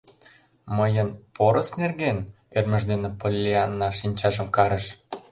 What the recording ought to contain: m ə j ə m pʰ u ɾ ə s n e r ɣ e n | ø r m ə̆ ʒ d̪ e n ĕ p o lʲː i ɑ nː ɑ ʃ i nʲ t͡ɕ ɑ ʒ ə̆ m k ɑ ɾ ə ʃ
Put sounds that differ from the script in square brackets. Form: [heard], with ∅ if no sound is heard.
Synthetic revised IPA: m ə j ə [n] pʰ [o] ɾ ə s n e r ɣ e n | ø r m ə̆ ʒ d̪ e n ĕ p o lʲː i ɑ nː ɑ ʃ i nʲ t͡ɕ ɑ ʒ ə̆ m k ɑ ɾ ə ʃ